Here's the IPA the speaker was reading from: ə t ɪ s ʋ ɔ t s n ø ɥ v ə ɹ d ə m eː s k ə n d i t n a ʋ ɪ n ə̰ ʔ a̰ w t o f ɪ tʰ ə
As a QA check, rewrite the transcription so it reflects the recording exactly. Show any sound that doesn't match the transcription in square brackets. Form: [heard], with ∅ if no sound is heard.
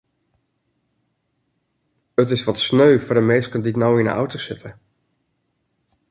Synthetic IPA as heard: ə t ɪ s ʋ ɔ t s n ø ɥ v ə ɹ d ə m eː s k ə n d i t n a [w] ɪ n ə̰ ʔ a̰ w t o [s] ɪ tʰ ə